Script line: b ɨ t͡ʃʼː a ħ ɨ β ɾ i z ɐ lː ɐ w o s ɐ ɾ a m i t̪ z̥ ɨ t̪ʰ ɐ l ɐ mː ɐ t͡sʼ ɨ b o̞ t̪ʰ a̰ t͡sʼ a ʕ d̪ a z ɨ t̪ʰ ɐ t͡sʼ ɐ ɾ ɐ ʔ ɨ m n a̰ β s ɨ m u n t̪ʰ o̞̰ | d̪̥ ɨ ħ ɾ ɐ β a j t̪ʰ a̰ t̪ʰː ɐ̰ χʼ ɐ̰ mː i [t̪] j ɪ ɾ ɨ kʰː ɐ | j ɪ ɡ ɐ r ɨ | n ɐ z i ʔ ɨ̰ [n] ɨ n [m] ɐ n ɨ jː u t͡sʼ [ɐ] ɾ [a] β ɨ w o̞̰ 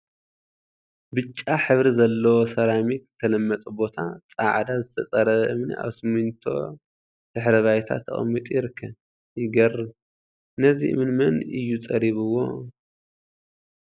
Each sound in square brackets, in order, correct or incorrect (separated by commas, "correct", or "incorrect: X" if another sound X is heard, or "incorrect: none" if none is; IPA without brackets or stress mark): incorrect: t̪ʼ, incorrect: m, correct, correct, incorrect: i